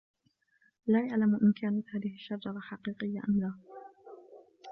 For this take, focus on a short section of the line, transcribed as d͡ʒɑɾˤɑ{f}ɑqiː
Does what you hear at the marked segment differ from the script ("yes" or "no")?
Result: yes